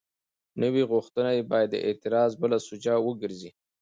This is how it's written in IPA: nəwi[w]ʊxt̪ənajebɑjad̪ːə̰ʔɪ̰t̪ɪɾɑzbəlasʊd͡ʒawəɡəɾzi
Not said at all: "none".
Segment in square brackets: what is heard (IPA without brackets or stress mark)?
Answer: ɣ